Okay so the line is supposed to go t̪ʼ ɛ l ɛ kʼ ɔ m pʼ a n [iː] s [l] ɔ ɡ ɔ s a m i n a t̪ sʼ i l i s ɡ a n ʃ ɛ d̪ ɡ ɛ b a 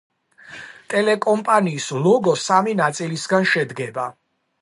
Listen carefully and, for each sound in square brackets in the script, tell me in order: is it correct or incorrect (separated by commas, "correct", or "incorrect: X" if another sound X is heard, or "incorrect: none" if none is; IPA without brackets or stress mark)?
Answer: correct, correct